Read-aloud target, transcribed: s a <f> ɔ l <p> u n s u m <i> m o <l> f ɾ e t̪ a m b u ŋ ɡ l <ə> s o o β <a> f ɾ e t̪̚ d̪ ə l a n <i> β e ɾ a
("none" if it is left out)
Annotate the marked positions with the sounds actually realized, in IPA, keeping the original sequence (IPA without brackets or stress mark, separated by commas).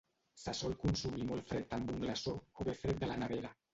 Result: s, k, i, l, a, e, a